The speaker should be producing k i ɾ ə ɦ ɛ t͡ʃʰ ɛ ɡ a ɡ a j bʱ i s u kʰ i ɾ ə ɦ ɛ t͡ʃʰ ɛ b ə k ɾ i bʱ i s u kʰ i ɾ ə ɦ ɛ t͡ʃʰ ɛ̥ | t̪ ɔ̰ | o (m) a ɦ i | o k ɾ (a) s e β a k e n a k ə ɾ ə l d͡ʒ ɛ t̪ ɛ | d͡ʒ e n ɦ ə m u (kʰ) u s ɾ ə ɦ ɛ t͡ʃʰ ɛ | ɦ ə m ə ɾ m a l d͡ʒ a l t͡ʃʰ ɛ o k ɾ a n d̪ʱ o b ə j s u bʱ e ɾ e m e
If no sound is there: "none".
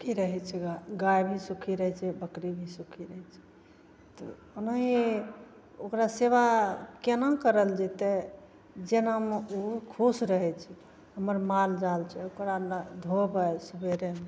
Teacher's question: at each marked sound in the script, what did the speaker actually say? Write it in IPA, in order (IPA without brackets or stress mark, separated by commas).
n, a, kʰ